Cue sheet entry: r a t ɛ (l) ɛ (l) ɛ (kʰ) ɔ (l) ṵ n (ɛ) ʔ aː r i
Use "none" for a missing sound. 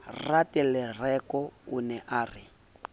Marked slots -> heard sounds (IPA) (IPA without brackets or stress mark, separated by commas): l, r, k, none, ɛ